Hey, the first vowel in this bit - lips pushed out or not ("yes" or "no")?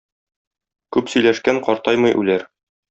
yes